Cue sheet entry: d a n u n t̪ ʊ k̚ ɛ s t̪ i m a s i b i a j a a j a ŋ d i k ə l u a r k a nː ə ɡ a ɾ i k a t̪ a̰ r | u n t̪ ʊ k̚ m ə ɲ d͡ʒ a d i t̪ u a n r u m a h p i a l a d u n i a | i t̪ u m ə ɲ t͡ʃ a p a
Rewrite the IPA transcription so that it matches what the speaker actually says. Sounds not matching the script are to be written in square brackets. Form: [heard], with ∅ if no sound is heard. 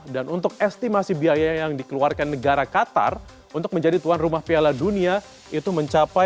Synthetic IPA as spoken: d a n u n t̪ ʊ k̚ ɛ s t̪ i m a s i b i a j a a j a ŋ d i k ə l u a r k a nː ə ɡ a ɾ [a] k a t̪ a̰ r | u n t̪ ʊ k̚ m ə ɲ d͡ʒ a d i t̪ u a n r u m a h p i a l a d u n i a | i t̪ u m ə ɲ t͡ʃ a p a